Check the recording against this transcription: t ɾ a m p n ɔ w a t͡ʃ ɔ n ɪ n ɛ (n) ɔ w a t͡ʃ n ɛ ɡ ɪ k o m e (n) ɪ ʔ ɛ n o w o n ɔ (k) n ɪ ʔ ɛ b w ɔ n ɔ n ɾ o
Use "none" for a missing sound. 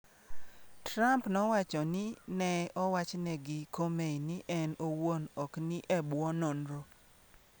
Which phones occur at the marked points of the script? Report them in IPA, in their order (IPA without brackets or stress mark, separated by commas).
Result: none, n, k